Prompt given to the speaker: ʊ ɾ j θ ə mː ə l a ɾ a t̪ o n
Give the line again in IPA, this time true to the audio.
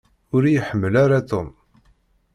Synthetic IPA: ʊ ɾ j ħ ə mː ə l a ɾ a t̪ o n